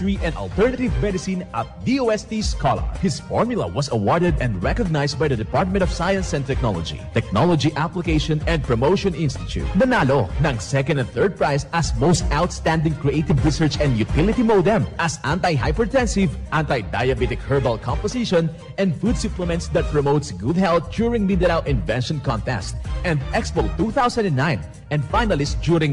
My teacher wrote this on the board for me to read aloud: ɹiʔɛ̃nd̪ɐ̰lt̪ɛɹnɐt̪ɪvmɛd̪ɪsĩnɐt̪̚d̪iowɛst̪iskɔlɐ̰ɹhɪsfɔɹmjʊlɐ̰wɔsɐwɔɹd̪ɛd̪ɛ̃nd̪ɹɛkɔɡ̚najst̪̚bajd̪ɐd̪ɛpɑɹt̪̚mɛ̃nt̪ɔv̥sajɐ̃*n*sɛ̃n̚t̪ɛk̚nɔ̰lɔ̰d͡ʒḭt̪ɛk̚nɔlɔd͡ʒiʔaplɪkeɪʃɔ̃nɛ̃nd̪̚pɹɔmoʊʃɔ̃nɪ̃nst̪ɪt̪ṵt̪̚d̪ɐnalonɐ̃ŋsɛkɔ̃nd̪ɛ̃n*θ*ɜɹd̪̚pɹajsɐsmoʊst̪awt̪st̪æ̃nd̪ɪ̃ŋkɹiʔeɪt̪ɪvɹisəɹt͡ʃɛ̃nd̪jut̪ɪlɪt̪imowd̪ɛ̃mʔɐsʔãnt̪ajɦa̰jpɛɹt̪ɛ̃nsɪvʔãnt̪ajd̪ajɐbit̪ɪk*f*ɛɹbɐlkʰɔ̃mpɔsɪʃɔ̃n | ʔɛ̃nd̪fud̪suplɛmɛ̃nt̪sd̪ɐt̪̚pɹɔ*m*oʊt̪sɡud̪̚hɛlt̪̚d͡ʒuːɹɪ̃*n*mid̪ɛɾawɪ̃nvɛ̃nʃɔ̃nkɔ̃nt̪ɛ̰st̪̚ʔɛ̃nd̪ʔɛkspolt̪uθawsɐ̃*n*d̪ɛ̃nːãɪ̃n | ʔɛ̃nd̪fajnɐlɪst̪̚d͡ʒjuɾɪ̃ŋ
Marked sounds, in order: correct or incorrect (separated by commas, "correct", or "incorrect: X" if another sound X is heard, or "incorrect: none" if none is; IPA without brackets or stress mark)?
correct, correct, incorrect: h, correct, incorrect: ŋ, correct